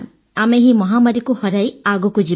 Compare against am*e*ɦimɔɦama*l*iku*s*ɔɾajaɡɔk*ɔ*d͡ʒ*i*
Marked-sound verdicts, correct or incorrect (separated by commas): correct, incorrect, incorrect, incorrect, correct